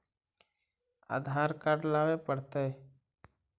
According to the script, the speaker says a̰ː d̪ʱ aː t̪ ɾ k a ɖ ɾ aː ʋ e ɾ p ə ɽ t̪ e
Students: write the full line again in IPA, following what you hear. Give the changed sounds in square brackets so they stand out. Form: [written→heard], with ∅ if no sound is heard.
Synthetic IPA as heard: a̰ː d̪ʱ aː [t̪→∅] ɾ k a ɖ [ɾ→l] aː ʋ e [ɾ→∅] p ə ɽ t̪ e